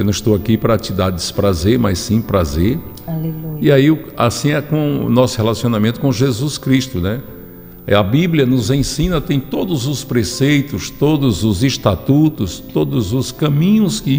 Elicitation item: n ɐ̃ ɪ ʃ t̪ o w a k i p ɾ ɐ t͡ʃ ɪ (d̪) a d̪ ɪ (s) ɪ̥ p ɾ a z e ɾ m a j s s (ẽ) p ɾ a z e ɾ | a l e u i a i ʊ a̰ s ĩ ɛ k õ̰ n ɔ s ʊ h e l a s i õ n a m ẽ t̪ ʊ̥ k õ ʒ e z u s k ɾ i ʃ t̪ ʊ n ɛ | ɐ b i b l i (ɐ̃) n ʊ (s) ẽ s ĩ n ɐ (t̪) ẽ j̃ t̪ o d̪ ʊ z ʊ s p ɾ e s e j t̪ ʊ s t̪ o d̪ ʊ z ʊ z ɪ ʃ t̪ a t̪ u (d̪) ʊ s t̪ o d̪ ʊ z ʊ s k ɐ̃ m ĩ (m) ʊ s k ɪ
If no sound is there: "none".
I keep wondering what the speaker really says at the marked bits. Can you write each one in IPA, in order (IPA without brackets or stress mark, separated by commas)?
d̪, s, ĩ, ɐ, z, t̪, t̪, ɲ